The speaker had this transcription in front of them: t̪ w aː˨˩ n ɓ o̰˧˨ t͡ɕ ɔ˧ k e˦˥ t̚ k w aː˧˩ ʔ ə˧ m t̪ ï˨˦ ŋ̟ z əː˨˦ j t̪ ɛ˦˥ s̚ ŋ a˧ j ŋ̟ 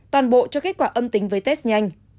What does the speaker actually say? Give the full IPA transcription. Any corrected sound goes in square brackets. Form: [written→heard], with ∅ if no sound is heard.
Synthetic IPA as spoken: t̪ w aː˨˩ n ɓ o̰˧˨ t͡ɕ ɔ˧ k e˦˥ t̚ k w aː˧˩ ʔ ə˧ m t̪ ï˨˦ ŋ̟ [z→v] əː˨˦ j t̪ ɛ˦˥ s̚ [ŋ→ɲ] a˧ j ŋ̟

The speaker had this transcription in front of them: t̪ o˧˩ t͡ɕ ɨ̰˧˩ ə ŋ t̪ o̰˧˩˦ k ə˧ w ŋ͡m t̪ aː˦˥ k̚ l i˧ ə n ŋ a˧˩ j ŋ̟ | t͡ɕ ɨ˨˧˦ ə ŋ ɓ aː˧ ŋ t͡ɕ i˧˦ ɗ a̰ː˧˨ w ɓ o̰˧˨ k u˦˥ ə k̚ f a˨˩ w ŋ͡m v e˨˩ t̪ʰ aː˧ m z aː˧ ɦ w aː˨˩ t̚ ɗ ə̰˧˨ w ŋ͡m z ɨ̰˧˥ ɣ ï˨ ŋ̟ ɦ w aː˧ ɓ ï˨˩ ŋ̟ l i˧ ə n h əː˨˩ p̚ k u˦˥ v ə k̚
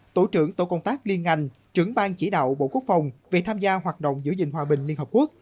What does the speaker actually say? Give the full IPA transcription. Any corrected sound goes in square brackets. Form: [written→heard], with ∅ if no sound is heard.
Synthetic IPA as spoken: t̪ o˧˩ t͡ɕ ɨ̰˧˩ ə ŋ t̪ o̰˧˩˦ k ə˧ w ŋ͡m t̪ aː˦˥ k̚ l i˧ ə n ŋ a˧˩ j ŋ̟ | t͡ɕ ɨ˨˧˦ ə ŋ ɓ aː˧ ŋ t͡ɕ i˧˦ ɗ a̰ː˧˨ w ɓ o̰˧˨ k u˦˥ ə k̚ f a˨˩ w ŋ͡m v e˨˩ t̪ʰ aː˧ m z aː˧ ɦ w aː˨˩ t̚ ɗ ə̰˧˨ w ŋ͡m z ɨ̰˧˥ [ɣ→z] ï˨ ŋ̟ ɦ w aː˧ ɓ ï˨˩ ŋ̟ l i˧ ə n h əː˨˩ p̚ k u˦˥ [v→∅] ə k̚

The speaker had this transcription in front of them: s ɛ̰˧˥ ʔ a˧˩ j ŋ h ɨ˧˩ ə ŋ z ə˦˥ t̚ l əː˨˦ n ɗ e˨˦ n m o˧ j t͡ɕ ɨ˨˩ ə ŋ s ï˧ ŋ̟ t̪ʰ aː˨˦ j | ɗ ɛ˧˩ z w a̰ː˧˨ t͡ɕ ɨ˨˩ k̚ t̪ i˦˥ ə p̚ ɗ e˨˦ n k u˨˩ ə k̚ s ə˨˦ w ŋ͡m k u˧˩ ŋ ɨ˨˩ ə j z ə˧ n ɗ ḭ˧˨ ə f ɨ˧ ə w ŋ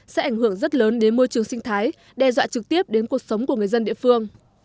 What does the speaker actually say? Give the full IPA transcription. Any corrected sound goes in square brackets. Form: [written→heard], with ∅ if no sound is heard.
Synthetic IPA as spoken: s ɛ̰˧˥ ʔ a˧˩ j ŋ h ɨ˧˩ ə ŋ z ə˦˥ t̚ l əː˨˦ n ɗ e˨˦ n m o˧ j t͡ɕ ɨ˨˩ ə ŋ s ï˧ ŋ̟ t̪ʰ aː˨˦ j | ɗ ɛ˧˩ z w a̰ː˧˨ t͡ɕ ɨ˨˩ k̚ t̪ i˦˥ ə p̚ ɗ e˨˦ n k u˨˩ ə k̚ s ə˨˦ w ŋ͡m k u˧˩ ŋ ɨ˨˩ ə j z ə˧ n ɗ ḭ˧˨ ə f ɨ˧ ə [w→∅] ŋ

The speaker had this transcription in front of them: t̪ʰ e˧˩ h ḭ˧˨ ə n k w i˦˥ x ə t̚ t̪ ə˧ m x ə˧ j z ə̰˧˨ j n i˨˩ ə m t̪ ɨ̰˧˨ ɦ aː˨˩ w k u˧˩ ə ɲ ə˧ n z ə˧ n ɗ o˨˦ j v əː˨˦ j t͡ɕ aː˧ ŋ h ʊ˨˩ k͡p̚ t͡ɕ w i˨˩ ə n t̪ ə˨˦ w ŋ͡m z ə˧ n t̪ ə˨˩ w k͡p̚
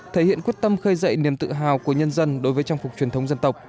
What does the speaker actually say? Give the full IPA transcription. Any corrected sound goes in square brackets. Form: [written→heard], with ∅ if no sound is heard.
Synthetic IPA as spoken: t̪ʰ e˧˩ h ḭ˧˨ ə n k w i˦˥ [x→∅] ə t̚ t̪ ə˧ m x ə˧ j z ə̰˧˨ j n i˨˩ ə m t̪ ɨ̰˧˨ ɦ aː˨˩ w k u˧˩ ə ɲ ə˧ n z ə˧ n ɗ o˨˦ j v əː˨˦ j t͡ɕ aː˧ ŋ [h→f] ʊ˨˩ k͡p̚ t͡ɕ w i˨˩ ə n t̪ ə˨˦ w ŋ͡m z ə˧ n t̪ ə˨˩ w k͡p̚

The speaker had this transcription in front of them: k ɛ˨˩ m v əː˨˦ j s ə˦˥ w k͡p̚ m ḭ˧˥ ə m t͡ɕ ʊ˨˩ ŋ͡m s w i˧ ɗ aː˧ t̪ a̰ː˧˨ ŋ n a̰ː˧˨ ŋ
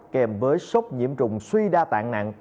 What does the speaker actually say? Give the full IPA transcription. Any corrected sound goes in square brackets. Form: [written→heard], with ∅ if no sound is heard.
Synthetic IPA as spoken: k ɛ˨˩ m v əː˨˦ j s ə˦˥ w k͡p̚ [m→ɲ] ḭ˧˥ ə m t͡ɕ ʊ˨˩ ŋ͡m s w i˧ ɗ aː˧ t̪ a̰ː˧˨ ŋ n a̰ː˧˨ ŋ

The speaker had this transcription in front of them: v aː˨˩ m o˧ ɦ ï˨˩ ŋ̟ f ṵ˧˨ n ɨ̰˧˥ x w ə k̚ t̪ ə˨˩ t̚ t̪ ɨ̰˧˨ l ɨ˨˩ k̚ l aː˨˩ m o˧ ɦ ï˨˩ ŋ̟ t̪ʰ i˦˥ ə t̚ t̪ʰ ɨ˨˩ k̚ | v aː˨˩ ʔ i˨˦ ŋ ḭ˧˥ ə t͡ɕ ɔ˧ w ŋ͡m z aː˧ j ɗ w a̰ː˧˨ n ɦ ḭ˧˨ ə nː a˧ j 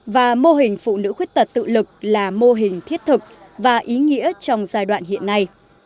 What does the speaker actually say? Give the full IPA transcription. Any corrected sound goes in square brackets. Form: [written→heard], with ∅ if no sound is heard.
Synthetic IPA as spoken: v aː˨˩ m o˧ ɦ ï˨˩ ŋ̟ f ṵ˧˨ n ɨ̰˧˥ x w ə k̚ t̪ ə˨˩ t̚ t̪ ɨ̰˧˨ l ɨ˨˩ k̚ l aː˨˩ m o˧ ɦ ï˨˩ ŋ̟ t̪ʰ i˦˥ ə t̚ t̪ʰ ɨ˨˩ k̚ | v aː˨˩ ʔ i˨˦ ŋ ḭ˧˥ ə t͡ɕ ɔ˧ w ŋ͡m z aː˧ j ɗ w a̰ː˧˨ n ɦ ḭ˧˨ ə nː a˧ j

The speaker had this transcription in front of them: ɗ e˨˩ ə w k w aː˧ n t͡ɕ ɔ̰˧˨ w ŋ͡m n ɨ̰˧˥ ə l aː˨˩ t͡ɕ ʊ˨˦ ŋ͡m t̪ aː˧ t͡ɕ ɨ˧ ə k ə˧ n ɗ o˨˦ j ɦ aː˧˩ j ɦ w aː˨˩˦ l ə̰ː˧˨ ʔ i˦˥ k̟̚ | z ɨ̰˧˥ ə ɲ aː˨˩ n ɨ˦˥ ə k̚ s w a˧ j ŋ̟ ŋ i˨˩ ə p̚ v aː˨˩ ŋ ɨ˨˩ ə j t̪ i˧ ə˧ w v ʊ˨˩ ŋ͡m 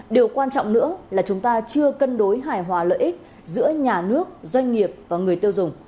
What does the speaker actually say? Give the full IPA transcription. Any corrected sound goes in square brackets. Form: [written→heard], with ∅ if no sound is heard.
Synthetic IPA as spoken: ɗ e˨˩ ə w k w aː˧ n t͡ɕ ɔ̰˧˨ w ŋ͡m n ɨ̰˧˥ ə l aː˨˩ t͡ɕ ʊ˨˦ ŋ͡m t̪ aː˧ t͡ɕ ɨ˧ ə k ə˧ n ɗ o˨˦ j ɦ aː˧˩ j ɦ w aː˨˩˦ l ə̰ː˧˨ ʔ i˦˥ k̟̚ | z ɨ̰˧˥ ə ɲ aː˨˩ n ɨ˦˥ ə k̚ [s→z] w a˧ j ŋ̟ ŋ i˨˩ ə p̚ v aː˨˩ ŋ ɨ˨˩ ə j t̪ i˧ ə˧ w [v→z] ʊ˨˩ ŋ͡m

